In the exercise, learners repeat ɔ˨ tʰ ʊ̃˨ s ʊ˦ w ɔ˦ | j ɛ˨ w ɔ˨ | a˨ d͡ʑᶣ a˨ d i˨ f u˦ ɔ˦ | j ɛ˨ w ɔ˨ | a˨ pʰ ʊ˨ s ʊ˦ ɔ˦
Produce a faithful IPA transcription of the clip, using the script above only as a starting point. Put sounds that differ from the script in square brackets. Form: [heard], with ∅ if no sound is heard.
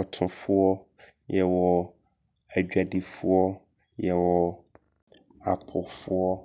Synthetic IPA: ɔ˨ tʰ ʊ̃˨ [f] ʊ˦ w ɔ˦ | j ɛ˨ w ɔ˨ | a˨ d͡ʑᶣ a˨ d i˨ f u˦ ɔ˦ | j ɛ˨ w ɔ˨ | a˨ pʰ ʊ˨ [f] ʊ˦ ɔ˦